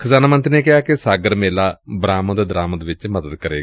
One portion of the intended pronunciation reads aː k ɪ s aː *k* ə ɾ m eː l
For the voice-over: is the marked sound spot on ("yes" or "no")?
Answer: no